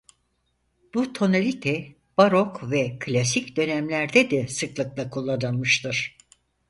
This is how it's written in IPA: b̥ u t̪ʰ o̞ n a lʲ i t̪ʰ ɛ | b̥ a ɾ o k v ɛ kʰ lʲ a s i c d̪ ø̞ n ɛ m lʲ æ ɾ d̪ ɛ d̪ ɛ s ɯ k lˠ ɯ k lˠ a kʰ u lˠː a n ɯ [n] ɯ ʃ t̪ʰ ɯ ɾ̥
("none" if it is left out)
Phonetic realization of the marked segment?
m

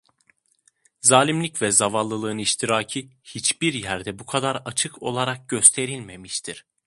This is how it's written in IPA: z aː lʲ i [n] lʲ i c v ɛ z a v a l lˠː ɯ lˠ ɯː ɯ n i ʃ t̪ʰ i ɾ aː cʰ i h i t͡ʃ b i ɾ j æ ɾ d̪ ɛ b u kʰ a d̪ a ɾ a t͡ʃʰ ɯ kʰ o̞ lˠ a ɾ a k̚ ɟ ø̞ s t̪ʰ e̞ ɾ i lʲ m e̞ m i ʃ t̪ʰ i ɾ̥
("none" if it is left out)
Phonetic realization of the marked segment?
m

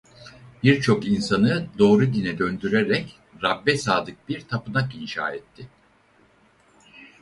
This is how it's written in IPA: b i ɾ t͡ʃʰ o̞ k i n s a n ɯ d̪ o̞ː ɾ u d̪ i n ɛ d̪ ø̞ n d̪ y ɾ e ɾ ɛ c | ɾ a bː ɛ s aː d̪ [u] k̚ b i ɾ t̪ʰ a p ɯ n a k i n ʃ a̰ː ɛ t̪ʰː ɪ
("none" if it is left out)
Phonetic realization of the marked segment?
ɯ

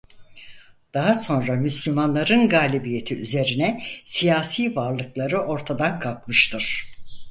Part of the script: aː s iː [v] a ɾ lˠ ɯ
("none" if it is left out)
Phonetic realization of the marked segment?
v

